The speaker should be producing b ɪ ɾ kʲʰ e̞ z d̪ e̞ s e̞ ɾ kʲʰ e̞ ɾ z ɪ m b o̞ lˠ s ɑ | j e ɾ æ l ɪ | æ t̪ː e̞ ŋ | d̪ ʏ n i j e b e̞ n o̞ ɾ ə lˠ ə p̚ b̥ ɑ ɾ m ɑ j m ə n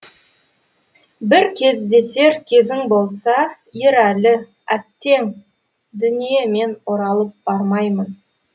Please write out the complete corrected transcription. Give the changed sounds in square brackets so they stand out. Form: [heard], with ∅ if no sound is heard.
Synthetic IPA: b ɪ ɾ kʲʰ e̞ z d̪ e̞ s e̞ ɾ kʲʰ e̞ [∅] z ɪ [ŋ] b o̞ lˠ s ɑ | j e ɾ æ l ɪ | æ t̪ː e̞ ŋ | d̪ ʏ n i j e [m] e̞ n o̞ ɾ [ɑ] lˠ ə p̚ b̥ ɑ ɾ m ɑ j m ə n